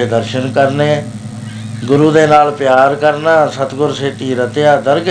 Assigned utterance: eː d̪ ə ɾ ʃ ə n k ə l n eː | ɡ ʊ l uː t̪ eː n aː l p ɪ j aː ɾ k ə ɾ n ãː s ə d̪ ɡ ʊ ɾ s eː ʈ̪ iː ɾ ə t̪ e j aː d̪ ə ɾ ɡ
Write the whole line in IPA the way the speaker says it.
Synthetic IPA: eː d̪ ə ɾ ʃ ə n k ə ɾ n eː | ɡ ʊ ɾ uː d̪ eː n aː l p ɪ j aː ɾ k ə ɾ n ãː s ə t̪ ɡ ʊ ɾ s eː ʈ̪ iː ɾ ə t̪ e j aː d̪ ə ɾ ɡ